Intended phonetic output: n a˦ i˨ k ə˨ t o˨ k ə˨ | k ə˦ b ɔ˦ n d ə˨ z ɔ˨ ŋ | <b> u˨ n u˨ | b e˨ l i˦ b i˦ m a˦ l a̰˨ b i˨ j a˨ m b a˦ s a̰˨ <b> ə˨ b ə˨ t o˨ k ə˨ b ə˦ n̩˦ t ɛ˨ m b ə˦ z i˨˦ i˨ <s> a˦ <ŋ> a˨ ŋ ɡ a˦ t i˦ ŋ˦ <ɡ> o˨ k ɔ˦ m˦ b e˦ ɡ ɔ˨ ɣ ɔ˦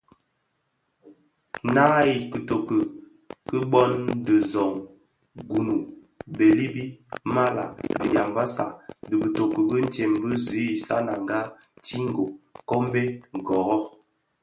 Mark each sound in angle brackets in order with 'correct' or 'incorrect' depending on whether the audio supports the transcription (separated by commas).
incorrect, incorrect, correct, incorrect, correct